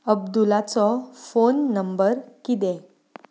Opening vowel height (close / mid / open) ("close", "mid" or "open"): mid